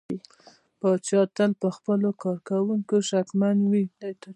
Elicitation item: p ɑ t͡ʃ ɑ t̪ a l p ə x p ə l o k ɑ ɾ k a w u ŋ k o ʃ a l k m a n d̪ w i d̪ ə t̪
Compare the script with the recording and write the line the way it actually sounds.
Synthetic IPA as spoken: p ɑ t͡ʃ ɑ t̪ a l p ə x p ə l o k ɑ ɾ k a w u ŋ k o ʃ a k m a n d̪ w i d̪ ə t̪